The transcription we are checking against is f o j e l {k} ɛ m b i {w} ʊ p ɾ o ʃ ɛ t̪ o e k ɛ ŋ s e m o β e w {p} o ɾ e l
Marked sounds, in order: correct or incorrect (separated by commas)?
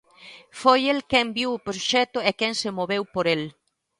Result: correct, correct, correct